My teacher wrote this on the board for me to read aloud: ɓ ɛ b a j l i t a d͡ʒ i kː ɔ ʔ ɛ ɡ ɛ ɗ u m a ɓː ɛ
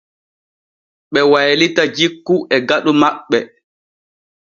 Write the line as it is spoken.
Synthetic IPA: ɓ ɛ w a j l i t a d͡ʒ i kː u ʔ ɛ ɡ a ɗ u m a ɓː ɛ